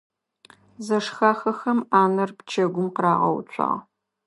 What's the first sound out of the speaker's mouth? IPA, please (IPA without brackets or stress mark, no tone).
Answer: z